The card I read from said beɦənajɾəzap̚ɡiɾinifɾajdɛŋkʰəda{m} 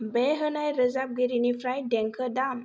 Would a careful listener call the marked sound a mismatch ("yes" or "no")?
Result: no